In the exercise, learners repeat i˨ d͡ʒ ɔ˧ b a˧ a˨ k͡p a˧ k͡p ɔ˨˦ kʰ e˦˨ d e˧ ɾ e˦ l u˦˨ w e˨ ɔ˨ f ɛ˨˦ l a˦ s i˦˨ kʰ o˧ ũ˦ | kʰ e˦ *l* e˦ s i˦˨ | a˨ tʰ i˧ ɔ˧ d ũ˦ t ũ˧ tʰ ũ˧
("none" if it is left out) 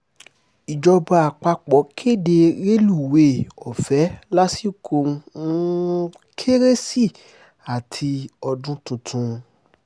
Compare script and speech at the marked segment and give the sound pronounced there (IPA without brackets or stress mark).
ɾ